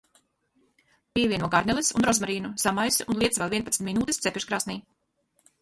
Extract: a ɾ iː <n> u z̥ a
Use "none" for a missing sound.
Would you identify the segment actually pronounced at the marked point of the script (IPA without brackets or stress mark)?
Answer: n